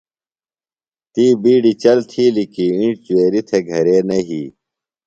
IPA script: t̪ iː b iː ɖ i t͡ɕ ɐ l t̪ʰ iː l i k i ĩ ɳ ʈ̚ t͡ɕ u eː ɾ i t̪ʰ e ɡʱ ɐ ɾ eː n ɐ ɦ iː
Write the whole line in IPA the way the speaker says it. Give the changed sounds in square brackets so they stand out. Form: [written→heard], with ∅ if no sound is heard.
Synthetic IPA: t̪ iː b iː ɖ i t͡ɕ ɐ l t̪ʰ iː l i k i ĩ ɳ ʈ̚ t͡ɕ u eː ɾ i t̪ʰ e ɡʱ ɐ ɾ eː n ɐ ɦ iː